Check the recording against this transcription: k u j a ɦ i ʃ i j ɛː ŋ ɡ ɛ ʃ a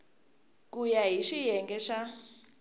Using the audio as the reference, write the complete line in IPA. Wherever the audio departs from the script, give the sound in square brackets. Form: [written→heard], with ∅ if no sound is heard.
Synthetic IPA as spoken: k u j a ɦ i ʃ i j [ɛː→ɛ] ŋ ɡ ɛ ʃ a